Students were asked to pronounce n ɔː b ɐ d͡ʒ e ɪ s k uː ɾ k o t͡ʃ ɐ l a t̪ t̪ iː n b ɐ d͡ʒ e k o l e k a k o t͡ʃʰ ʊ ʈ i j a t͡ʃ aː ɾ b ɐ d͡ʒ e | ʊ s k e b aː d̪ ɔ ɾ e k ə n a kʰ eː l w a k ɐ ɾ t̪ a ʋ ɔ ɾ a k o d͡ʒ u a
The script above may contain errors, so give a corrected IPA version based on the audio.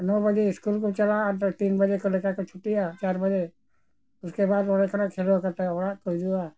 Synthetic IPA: n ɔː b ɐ d͡ʒ e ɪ s k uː l k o t͡ʃ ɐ l a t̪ t̪ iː n b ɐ d͡ʒ e k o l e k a k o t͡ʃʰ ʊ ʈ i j a t͡ʃ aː ɾ b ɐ d͡ʒ e | ʊ s k e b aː d̪ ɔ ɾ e k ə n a kʰ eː l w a k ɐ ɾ t̪ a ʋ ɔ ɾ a k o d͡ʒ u a